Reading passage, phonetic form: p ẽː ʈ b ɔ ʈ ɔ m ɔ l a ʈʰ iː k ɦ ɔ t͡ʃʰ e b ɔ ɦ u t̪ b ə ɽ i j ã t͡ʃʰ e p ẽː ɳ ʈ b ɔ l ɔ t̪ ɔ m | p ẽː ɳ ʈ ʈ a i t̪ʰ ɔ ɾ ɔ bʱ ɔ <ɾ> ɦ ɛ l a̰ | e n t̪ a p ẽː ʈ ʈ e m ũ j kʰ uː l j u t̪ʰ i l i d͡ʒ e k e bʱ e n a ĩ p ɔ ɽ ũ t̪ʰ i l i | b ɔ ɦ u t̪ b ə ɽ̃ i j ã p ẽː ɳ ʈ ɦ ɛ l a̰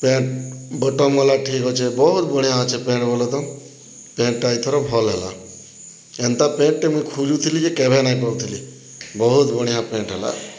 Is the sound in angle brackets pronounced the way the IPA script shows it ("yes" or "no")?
no